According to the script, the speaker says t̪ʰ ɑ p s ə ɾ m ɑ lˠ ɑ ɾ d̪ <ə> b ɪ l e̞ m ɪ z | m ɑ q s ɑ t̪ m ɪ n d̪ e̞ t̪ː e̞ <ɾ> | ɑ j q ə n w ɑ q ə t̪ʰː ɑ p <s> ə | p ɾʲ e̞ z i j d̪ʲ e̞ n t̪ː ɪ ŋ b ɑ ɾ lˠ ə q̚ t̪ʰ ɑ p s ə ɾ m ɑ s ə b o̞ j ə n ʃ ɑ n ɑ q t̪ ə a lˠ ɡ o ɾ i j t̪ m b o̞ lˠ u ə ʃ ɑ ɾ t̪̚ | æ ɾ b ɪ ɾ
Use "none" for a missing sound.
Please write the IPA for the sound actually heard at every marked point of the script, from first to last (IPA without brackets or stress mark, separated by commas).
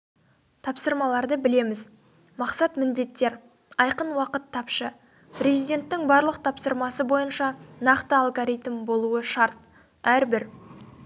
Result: ə, ɾ, ʃ